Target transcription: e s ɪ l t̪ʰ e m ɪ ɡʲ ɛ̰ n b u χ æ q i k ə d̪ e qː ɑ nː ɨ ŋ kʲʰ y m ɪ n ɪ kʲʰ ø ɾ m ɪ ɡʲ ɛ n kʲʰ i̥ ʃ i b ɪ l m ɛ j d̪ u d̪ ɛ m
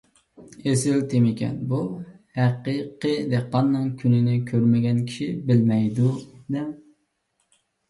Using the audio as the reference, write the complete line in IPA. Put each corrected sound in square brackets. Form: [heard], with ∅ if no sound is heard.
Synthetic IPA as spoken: e s ɪ l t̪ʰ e m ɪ [kʲ] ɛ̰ n b u [h] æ q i [q] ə d̪ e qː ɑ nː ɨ ŋ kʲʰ y [n] ɪ n ɪ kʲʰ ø ɾ m ɪ ɡʲ ɛ n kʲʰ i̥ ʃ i b ɪ l m ɛ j d̪ u d̪ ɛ m